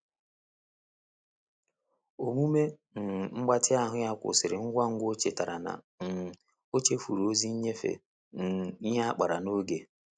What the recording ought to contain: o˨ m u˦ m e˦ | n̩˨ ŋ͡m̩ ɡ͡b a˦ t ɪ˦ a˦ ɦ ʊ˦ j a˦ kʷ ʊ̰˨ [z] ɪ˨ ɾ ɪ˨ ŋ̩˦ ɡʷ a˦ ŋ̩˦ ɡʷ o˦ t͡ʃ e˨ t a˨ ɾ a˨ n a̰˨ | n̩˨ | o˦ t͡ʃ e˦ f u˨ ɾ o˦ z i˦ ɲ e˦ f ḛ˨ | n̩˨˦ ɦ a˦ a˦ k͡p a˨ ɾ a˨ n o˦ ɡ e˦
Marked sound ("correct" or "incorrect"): incorrect